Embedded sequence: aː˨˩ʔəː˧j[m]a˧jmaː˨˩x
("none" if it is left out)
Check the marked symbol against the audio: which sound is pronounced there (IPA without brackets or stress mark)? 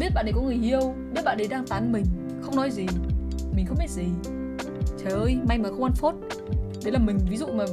m